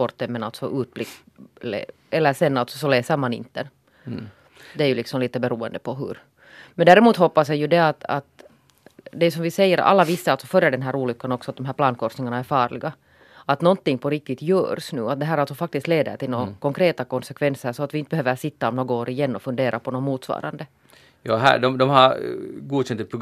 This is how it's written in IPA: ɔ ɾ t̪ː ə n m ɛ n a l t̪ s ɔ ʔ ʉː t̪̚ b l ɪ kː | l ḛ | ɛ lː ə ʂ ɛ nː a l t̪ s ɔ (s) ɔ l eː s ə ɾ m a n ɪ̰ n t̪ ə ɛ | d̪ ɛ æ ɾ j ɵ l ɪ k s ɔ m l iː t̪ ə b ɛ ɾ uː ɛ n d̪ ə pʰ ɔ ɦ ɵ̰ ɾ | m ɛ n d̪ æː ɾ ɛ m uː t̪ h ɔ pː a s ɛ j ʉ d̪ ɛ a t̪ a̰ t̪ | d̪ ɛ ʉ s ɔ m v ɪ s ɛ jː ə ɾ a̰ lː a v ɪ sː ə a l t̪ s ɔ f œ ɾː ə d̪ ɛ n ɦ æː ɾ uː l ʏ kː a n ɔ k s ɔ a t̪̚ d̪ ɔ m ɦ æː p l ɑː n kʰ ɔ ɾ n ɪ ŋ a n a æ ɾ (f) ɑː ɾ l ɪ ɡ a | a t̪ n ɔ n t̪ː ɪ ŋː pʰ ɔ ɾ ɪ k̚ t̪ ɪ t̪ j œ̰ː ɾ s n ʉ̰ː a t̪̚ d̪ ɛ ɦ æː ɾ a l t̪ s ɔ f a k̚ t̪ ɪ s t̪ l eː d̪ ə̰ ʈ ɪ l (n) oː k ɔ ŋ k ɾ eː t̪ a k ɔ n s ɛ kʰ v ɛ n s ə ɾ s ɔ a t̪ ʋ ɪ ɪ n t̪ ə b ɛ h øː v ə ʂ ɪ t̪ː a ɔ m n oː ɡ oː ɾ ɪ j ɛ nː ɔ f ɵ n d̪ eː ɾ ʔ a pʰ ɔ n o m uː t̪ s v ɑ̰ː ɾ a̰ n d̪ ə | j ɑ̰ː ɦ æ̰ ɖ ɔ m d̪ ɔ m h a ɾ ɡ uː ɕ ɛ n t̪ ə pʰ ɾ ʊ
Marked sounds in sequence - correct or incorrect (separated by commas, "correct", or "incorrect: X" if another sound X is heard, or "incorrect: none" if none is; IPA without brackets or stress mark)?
correct, correct, correct